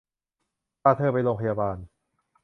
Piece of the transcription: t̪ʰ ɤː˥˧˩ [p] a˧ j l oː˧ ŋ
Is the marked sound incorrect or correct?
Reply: correct